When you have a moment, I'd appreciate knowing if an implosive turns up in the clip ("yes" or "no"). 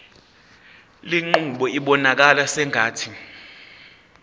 yes